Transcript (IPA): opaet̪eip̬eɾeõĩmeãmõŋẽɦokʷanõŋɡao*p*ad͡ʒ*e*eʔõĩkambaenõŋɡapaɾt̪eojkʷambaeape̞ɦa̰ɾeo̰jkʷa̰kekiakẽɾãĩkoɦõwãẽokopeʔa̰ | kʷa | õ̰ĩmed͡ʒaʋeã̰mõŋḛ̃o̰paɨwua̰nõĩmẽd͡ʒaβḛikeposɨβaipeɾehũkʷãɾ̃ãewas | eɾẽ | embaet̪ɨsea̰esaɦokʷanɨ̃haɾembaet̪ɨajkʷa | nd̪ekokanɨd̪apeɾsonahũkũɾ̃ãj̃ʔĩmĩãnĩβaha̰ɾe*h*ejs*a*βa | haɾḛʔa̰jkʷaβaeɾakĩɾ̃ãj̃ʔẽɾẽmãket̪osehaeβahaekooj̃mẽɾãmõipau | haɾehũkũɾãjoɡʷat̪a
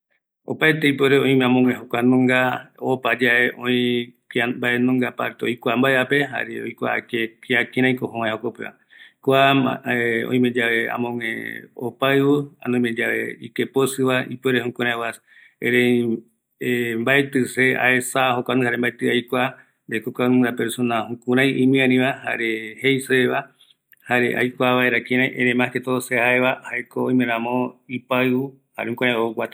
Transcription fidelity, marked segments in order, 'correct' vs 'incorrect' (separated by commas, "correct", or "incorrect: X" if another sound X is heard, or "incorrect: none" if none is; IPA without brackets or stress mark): correct, incorrect: a, correct, incorrect: e